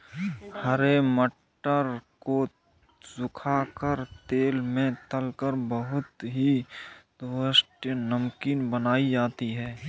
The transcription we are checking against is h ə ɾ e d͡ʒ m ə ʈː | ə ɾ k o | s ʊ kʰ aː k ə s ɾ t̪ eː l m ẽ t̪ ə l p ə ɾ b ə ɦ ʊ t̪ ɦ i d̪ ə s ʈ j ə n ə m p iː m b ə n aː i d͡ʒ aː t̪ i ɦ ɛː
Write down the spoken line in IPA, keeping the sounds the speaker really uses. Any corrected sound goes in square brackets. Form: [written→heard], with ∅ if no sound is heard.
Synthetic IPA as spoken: h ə ɾ e [d͡ʒ→∅] m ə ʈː | ə ɾ k o | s ʊ kʰ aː k ə [s→∅] ɾ t̪ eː l m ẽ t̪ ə l [p→k] ə ɾ b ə ɦ ʊ t̪ ɦ i d̪ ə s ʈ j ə n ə m [p→k] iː [m→n] b ə n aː i d͡ʒ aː t̪ i ɦ ɛː